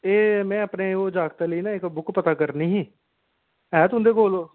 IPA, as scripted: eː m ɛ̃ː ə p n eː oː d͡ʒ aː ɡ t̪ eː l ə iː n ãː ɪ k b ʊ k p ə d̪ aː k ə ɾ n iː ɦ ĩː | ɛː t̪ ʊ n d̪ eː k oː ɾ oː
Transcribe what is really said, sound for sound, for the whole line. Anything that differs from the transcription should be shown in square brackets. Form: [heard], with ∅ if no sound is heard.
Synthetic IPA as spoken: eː m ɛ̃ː ə p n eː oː d͡ʒ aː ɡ t̪ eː l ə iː n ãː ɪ k b ʊ k p ə [t̪] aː k ə ɾ n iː ɦ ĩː | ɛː t̪ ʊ n d̪ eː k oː [l] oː